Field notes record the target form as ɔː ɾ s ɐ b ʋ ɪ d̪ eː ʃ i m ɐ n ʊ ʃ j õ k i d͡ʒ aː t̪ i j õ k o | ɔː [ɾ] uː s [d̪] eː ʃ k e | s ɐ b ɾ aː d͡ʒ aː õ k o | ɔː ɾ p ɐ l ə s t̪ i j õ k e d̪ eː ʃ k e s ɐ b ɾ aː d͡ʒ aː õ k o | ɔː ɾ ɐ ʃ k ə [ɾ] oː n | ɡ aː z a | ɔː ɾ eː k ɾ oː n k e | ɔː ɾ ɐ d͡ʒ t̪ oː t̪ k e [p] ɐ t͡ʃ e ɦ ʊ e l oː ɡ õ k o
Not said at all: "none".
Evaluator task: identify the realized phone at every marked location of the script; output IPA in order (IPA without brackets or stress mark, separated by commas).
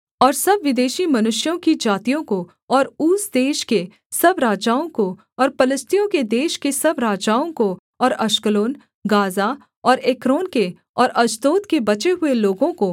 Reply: ɾ, d̪, l, b